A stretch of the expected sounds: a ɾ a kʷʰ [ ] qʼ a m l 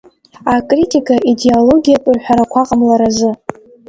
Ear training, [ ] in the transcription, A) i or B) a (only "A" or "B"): B